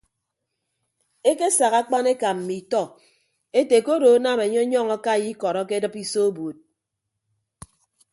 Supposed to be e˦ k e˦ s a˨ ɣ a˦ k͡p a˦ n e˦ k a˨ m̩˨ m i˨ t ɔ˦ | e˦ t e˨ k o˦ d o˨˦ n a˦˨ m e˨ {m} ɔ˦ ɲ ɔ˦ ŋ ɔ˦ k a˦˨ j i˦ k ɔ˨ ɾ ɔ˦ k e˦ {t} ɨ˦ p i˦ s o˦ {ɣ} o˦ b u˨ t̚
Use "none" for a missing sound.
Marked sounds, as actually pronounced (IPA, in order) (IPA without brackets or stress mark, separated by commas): ɲ, d, none